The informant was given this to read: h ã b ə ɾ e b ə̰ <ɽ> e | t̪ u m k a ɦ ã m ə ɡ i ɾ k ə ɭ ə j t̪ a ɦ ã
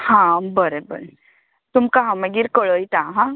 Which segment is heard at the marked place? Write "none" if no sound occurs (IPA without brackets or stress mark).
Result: ɾ